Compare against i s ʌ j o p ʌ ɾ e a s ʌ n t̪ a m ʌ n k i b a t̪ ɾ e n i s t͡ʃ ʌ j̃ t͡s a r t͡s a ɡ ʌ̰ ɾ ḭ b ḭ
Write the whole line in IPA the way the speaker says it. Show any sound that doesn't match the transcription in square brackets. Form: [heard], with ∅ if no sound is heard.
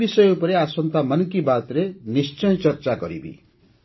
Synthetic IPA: i s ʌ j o p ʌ ɾ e a s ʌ n t̪ a m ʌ n k i b a t̪ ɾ e n i s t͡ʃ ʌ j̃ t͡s [ʌ] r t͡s a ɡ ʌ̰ ɾ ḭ b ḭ